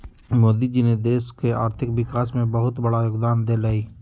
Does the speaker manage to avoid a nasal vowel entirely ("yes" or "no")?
no